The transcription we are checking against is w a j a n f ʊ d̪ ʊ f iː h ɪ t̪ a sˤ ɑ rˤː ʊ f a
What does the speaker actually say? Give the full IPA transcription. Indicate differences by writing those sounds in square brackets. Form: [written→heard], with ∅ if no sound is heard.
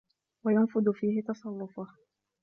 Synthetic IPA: w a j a n f ʊ d̪ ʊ f iː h ɪ t̪ [a→ɑ] sˤ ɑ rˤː ʊ f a